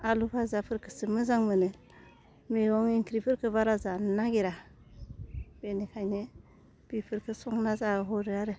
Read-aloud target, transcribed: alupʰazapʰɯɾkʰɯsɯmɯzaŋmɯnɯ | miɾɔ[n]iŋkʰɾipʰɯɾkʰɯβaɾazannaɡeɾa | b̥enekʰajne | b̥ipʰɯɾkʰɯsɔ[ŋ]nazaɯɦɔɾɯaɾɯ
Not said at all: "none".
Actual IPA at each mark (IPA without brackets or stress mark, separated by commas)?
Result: ŋ, ŋ